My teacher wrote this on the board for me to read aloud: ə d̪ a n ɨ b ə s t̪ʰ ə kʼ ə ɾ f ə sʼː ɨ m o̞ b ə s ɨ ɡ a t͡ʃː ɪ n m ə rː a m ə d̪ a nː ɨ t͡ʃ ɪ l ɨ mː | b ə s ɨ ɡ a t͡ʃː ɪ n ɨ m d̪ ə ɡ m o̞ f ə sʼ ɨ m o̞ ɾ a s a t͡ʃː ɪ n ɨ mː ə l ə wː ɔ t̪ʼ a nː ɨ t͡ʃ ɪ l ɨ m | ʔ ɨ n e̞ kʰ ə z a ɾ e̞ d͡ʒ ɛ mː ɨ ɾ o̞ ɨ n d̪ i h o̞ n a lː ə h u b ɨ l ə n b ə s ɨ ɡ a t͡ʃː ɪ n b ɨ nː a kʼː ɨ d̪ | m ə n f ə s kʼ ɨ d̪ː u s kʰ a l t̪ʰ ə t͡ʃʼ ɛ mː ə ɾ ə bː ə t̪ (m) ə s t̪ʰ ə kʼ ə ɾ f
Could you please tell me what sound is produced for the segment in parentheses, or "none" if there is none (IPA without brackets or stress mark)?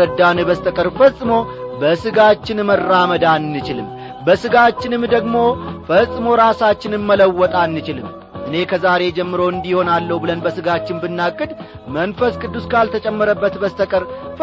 b